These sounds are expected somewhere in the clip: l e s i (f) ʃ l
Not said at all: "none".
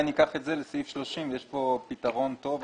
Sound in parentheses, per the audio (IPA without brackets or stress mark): f